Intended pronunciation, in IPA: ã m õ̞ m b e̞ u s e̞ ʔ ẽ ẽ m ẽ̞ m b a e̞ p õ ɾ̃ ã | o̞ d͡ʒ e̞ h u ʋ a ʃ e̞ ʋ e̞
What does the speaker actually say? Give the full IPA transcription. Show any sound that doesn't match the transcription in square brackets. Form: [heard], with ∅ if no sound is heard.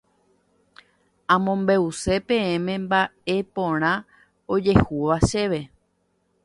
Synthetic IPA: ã m õ̞ m b e̞ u s e̞ [p] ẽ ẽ m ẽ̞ m b a e̞ p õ ɾ̃ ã | o̞ d͡ʒ e̞ h u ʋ a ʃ e̞ ʋ e̞